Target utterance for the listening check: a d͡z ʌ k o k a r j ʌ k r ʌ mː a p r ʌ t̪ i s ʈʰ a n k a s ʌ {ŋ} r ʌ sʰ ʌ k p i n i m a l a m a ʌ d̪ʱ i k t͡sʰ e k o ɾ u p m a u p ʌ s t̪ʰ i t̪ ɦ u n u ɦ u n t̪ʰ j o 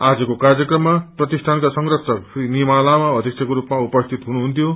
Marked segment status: correct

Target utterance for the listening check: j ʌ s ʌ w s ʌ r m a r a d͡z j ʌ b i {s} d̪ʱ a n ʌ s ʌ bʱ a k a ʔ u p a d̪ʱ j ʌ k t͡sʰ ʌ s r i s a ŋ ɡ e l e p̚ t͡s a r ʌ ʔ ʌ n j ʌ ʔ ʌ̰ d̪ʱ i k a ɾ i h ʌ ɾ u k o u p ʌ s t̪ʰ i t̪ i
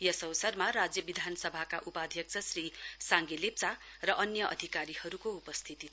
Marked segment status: incorrect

